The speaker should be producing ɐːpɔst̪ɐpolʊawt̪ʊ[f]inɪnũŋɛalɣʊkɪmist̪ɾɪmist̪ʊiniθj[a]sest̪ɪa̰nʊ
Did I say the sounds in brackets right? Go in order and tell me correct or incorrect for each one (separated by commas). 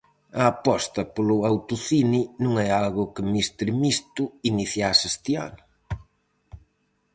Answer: incorrect, correct